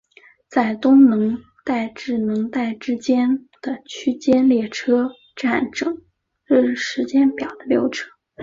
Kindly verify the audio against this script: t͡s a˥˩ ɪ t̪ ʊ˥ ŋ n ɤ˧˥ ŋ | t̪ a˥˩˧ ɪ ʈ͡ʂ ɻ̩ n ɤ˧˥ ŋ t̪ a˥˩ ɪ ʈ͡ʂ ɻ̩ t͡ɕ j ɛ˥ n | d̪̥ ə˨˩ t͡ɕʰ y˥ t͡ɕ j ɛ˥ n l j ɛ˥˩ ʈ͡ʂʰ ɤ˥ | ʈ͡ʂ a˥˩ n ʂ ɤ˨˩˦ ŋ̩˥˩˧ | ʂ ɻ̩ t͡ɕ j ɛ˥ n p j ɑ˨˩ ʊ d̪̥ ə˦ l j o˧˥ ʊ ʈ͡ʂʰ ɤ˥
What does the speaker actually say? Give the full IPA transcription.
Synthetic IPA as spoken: t͡s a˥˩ ɪ t̪ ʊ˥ ŋ n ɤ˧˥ ŋ | t̪ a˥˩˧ ɪ ʈ͡ʂ ɻ̩ n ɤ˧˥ ŋ t̪ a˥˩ ɪ ʈ͡ʂ ɻ̩ t͡ɕ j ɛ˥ n | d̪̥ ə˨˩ t͡ɕʰ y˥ t͡ɕ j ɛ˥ n l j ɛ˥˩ ʈ͡ʂʰ ɤ˥ | ʈ͡ʂ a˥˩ n ʈ͡ʂ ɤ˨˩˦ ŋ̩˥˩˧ | ʂ ɻ̩ t͡ɕ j ɛ˥ n p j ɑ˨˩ ʊ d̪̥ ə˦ l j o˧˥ ʊ ʈ͡ʂʰ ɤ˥